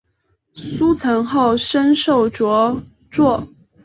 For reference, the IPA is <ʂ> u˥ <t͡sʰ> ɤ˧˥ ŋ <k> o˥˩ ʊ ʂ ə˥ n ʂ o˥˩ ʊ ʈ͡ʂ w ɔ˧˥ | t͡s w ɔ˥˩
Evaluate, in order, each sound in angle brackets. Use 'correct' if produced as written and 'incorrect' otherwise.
incorrect: s, correct, incorrect: x

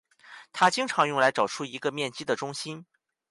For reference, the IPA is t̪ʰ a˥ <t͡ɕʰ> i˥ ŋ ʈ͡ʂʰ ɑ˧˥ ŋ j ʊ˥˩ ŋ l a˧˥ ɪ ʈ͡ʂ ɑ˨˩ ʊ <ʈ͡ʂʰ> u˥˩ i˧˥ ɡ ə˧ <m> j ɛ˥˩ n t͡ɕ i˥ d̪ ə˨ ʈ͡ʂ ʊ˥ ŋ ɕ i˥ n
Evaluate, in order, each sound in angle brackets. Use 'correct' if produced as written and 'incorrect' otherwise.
incorrect: t͡ɕ, correct, correct

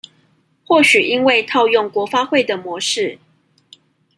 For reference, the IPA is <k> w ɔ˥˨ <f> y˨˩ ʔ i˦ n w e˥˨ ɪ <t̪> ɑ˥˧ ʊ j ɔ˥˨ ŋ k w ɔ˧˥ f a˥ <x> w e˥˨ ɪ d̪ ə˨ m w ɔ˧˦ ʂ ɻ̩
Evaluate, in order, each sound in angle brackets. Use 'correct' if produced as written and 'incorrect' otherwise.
incorrect: x, incorrect: ɕ, incorrect: t̪ʰ, correct

